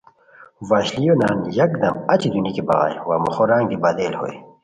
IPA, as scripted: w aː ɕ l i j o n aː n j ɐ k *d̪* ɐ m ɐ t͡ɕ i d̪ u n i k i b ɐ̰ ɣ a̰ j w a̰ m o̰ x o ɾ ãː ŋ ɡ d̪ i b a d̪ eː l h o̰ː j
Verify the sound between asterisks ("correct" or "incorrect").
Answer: correct